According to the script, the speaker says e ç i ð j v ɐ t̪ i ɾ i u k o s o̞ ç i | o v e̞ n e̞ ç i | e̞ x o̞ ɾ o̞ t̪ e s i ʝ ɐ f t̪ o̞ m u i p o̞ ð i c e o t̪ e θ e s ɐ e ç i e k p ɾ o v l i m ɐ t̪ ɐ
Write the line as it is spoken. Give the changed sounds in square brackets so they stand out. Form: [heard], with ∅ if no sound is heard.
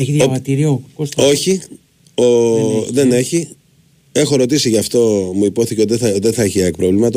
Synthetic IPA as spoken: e ç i ð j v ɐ t̪ i ɾ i [o] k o s o̞ ç i | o [ð] e̞ n e̞ ç i | e̞ x o̞ ɾ o̞ t̪ [i] s i ʝ ɐ f t̪ o̞ m u i p o̞ [θ] i c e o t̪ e [ð] e [θ] ɐ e ç i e k p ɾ o v l i m ɐ t̪ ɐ